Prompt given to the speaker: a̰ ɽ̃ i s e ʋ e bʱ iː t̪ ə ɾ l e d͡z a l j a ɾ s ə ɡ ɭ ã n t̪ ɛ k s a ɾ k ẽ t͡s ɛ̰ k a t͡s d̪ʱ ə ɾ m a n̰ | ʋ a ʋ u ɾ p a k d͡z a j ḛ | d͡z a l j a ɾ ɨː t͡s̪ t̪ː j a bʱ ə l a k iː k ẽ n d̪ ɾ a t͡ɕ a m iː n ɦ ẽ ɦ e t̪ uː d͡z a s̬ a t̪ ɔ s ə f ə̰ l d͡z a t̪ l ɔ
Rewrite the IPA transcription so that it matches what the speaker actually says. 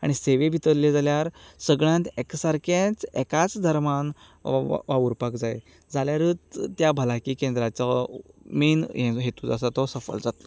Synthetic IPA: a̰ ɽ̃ i s e ʋ e bʱ i t̪ ə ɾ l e d͡z a l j a ɾ s ə ɡ ɭ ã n t̪ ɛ k s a ɾ k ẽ t͡s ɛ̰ k a t͡s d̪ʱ ə ɾ m a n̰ | ʋ a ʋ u ɾ p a k d͡z a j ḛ | d͡z a l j a ɾ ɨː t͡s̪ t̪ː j a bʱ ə l a k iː k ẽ n d̪ ɾ a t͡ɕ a m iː n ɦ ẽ ɦ e t̪ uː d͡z a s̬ a t̪ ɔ s ə f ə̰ l d͡z a t̪ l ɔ